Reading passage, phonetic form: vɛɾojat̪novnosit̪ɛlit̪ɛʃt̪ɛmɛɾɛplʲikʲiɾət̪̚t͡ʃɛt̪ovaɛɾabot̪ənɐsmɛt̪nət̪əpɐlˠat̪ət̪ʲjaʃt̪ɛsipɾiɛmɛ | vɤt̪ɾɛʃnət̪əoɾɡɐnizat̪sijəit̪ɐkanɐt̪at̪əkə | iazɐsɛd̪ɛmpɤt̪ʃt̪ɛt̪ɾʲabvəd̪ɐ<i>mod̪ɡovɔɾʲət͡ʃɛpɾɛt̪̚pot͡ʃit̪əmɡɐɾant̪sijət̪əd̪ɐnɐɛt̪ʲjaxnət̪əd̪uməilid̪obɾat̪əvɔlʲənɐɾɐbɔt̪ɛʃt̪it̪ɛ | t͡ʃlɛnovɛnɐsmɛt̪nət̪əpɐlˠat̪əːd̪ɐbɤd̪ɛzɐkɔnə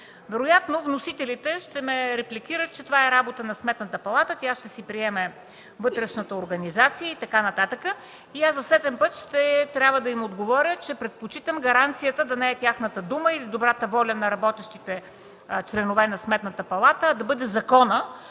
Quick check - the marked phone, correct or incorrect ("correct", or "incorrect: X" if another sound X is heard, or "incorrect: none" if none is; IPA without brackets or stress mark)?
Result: correct